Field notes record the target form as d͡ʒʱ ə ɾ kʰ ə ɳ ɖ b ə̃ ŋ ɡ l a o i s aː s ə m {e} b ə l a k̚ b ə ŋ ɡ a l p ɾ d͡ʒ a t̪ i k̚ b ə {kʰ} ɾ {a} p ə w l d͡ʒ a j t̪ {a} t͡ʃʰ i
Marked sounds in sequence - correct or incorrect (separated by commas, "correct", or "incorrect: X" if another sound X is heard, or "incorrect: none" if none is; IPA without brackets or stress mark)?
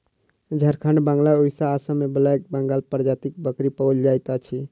correct, incorrect: k, incorrect: i, correct